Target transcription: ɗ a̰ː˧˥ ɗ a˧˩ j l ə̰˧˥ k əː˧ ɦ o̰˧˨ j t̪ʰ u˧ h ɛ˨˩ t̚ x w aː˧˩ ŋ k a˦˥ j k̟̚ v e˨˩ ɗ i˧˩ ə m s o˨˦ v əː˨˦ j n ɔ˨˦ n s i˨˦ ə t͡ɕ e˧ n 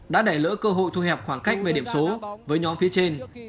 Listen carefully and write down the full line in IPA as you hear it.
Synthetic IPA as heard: ɗ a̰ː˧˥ ɗ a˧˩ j l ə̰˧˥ k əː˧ ɦ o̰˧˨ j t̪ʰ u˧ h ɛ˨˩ p̚ x w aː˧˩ ŋ k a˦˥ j k̟̚ v e˨˩ ɗ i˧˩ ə m s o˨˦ v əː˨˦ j ɲ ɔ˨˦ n f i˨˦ ə t͡ɕ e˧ n